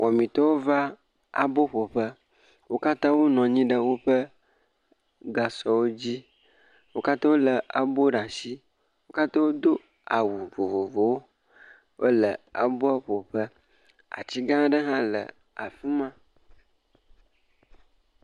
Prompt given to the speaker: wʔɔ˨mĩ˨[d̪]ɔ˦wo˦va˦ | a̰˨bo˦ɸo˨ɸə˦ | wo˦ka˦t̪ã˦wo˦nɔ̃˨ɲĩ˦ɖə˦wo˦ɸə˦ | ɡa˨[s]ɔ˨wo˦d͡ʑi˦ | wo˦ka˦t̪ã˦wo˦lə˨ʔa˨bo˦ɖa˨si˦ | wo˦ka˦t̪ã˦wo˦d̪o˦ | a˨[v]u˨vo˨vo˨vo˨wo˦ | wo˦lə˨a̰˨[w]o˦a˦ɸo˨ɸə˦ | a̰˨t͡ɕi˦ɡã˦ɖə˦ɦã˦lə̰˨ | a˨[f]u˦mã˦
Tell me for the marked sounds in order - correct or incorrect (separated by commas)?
incorrect, correct, incorrect, incorrect, correct